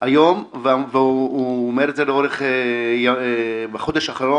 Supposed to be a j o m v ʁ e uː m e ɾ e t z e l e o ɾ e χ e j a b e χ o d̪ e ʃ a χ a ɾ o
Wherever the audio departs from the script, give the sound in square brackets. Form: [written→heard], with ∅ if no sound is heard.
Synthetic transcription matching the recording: a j o m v [ʁ→v] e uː m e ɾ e t z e l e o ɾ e χ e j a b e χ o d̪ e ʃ a χ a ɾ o

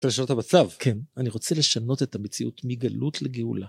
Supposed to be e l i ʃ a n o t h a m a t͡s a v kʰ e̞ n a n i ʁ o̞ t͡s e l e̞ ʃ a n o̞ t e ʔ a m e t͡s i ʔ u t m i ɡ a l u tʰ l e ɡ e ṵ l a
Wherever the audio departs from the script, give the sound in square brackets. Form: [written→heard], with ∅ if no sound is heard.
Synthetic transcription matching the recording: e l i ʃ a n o t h a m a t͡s a v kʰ e̞ n a n i ʁ o̞ t͡s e l e̞ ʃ a n o̞ t e [ʔ→t] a m e t͡s i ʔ u t m i ɡ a l u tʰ l e ɡ e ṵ l a

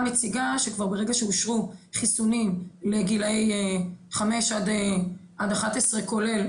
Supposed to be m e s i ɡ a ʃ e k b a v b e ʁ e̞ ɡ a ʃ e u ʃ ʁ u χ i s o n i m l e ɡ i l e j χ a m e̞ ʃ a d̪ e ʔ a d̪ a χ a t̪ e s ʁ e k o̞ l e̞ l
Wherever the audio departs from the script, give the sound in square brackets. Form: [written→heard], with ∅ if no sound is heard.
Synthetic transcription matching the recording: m e [s→t͡s] i ɡ a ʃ e k [b→v] a [v→ʁ] b e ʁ e̞ ɡ a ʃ e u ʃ ʁ u χ i s [o→u] n i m l e ɡ i l e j χ a m e̞ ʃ a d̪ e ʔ a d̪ a χ a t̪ e s ʁ e k o̞ l e̞ l

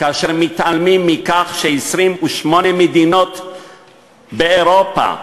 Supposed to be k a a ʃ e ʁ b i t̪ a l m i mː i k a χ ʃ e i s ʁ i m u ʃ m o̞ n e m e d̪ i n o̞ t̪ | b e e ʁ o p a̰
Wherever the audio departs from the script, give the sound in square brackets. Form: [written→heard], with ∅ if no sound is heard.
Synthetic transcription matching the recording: k a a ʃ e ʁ [b→m] i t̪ a l m i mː i k a χ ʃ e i s ʁ i m u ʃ m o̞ n e m e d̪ i n o̞ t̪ | b e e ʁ o p a̰

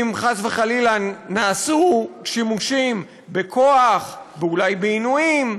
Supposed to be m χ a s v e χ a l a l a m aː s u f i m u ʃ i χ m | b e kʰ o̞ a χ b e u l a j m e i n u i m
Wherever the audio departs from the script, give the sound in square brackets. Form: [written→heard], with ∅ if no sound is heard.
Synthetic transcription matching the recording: m χ a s v e χ a l [a→i] l a [m→n] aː s u [f→ʃ] i m u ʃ i [χ→∅] m | b e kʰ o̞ a χ b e u l a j [m→b] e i n u i m

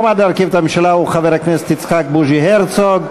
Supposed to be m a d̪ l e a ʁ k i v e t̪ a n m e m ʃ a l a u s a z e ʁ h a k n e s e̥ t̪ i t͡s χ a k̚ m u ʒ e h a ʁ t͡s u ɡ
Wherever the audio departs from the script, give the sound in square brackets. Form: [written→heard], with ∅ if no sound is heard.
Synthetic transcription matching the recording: m a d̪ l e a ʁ k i v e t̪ a [n→∅] m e m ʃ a l a u [s→χ] a [z→v] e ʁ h a k n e s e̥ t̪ i t͡s χ a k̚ [m→b] u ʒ [e→i] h [a→e] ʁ t͡s [u→o] ɡ

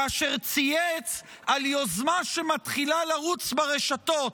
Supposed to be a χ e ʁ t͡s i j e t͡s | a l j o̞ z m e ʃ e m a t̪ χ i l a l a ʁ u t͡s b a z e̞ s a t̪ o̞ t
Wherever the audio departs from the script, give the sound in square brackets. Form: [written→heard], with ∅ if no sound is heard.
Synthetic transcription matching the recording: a [χ→ʃ] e ʁ t͡s i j e t͡s | a l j o̞ z m [e→a] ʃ e m a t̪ χ i l a l a ʁ u t͡s b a [z→ʁ] e̞ [s→ʃ] a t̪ o̞ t

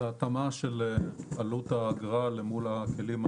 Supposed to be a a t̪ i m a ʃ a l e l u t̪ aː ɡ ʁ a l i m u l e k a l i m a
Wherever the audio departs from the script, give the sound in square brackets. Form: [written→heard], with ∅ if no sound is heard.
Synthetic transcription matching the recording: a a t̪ [i→a] m a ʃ [a→e] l [e→a] l u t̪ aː ɡ ʁ a l [i→e] m u l [e→a] k [a→e] l i m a

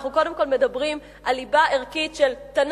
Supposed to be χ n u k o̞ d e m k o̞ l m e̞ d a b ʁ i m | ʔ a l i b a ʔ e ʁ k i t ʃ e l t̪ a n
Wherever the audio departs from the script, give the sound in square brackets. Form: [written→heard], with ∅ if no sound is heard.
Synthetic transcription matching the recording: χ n u k o̞ d e m k o̞ l m e̞ d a b ʁ i m | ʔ a l i b a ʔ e ʁ k i t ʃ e l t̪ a n

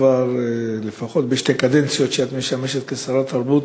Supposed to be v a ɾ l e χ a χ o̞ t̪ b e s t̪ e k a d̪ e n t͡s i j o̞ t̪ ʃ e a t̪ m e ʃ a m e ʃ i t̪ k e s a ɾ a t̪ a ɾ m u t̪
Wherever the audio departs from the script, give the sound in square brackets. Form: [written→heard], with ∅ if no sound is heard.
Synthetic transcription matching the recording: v a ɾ l e [χ→f] a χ o̞ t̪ b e [s→ʃ] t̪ e k a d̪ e n t͡s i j o̞ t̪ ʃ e a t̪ m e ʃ a m e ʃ [i→e] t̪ k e s a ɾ a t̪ a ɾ [m→b] u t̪

